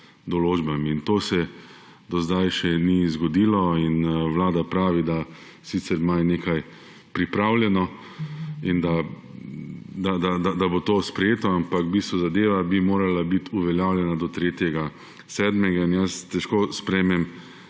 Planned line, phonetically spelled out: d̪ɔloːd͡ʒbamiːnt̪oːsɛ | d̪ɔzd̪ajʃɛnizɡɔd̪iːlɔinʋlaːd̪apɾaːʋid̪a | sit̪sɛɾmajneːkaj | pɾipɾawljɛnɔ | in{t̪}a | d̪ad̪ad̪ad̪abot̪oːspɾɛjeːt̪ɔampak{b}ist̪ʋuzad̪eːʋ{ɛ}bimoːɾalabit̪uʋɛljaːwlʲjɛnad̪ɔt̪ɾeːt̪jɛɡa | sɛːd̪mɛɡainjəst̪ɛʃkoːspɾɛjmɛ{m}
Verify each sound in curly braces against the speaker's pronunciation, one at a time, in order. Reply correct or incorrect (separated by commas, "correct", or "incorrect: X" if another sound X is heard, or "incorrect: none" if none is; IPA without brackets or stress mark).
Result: incorrect: d̪, correct, incorrect: a, correct